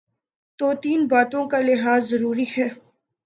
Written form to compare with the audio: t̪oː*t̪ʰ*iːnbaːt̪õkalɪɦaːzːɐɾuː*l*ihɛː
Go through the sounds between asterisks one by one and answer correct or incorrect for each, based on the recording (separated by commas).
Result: incorrect, incorrect